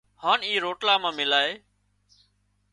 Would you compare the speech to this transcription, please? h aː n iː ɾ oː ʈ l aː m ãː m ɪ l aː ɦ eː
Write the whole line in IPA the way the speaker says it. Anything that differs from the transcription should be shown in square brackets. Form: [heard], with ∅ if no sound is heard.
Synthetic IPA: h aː n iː ɾ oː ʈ l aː m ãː m ɪ l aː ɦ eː